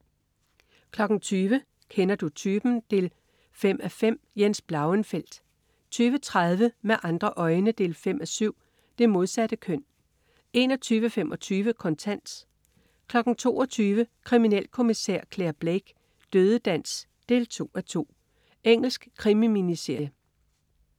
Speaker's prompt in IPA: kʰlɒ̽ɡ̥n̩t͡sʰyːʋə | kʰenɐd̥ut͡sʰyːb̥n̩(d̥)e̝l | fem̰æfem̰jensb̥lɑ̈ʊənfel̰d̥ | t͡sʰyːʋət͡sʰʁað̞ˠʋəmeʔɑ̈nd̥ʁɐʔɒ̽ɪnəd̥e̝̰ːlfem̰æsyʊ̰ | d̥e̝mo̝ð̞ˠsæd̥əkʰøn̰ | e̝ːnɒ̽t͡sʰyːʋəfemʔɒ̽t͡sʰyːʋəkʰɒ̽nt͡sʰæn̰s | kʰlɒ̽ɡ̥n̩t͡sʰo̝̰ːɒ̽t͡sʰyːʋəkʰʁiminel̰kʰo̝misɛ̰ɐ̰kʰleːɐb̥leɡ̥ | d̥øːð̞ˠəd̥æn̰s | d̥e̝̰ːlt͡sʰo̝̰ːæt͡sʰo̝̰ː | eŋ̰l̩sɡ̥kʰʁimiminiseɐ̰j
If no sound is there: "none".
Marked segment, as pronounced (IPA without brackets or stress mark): d̥